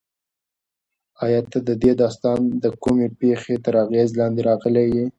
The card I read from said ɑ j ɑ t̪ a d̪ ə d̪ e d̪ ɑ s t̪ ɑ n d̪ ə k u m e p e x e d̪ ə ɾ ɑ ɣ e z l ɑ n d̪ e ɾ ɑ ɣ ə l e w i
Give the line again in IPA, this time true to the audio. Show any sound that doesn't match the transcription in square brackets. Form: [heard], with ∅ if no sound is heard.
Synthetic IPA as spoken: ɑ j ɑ t̪ a d̪ ə d̪ e d̪ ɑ s t̪ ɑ n d̪ ə k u m e p e x e [t̪] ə ɾ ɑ ɣ e z l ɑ n d̪ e ɾ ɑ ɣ ə l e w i

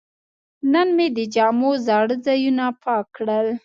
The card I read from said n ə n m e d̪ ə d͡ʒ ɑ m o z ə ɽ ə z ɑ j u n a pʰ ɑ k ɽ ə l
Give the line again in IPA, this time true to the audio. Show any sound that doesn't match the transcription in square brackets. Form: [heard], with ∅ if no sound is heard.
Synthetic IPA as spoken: n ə n m e d̪ ə d͡ʒ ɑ m o z [ɑ] ɽ ə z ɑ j u n a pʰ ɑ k ɽ ə l

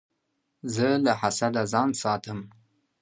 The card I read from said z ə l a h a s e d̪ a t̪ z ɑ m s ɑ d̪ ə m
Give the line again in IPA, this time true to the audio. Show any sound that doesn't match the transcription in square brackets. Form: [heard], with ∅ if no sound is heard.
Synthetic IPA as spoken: z ə l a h a s [a] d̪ a [∅] z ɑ [n] s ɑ [t̪] ə m

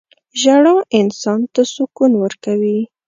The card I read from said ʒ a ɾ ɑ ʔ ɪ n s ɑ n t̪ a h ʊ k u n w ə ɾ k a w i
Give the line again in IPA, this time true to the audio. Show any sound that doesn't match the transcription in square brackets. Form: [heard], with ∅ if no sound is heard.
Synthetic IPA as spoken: ʒ a [ɽ] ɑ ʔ ɪ n s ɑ n t̪ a [s] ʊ k u n w ə ɾ k a w i

